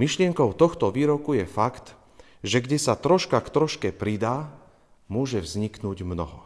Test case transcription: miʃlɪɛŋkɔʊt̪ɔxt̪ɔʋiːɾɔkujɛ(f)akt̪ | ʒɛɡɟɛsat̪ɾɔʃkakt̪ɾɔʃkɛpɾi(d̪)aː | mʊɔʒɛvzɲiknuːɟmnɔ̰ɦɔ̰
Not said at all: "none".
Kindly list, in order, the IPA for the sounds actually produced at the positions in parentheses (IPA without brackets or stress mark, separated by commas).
f, d̪